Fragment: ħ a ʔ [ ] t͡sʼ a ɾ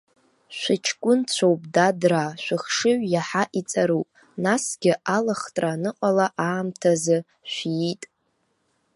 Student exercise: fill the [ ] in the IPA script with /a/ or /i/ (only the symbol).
i